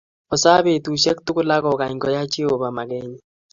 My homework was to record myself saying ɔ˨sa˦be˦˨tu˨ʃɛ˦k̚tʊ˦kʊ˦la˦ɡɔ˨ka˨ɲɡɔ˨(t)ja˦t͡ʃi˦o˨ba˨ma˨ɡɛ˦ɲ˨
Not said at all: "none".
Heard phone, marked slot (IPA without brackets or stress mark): none